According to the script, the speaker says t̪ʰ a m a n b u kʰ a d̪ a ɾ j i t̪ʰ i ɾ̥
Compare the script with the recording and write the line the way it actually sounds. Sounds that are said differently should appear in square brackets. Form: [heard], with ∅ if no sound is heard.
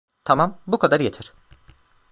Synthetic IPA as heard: t̪ʰ a m a [m] b u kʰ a d̪ a ɾ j [e] t̪ʰ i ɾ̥